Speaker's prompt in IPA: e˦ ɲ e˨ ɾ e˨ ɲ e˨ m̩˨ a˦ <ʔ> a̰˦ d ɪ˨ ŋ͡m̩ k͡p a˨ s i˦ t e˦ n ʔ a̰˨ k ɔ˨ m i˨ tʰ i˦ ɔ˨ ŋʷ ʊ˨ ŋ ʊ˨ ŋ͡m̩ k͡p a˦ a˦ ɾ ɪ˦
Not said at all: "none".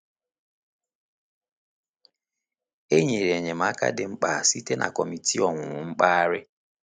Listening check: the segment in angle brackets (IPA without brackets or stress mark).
k